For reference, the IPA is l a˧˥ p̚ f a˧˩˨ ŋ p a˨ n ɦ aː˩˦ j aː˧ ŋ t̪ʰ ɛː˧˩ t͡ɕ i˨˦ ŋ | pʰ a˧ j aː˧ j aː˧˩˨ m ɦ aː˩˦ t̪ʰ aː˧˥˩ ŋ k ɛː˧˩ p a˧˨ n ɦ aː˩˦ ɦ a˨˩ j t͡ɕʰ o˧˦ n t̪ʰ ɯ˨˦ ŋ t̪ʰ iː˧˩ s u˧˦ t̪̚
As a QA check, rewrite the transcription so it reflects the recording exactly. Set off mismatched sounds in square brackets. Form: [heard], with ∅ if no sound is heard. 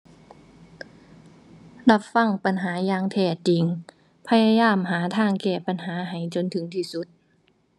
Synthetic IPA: l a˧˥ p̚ f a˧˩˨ ŋ p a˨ n ɦ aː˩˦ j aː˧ ŋ t̪ʰ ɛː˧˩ t͡ɕ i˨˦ ŋ | pʰ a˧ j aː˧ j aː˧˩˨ m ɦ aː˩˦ t̪ʰ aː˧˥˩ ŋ k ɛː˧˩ p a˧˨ n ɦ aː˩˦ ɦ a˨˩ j [t͡ɕ] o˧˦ n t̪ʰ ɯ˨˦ ŋ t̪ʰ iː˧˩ s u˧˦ t̪̚